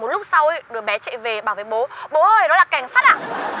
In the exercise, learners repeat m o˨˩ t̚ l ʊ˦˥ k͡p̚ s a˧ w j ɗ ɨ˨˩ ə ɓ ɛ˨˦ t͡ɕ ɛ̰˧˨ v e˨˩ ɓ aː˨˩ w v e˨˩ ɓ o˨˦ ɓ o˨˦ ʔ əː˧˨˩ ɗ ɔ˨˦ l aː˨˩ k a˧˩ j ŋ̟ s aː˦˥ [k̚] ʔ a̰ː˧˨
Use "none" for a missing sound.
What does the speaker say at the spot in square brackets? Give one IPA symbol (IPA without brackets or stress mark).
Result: t̚